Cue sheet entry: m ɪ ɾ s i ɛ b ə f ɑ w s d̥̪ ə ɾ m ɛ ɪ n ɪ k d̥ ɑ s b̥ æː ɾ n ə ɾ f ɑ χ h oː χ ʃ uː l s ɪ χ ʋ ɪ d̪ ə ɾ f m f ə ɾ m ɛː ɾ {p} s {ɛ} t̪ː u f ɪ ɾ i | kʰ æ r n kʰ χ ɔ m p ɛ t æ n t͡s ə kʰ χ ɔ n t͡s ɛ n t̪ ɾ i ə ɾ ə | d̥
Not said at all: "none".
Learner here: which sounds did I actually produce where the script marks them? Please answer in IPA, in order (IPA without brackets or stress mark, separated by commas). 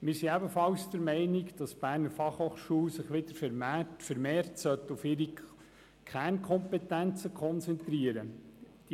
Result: t, œ